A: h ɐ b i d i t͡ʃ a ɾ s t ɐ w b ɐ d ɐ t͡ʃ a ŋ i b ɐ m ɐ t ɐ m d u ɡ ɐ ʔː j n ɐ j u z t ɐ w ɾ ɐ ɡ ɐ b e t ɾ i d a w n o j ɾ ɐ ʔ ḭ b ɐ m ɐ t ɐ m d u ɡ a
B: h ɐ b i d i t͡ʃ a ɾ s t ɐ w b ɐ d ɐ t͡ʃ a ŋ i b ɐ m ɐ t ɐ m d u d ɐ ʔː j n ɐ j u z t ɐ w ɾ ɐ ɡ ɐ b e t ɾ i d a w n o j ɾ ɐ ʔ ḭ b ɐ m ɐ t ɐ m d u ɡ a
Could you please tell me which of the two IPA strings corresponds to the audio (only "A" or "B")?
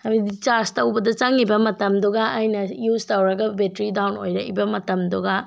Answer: A